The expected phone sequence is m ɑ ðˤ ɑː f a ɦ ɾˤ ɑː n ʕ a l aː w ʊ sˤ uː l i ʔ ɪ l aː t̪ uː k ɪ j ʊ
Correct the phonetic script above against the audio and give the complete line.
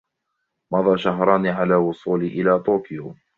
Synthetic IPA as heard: m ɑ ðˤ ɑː ʃ a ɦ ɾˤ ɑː n ʕ a l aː w ʊ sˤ uː l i ʔ ɪ l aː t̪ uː k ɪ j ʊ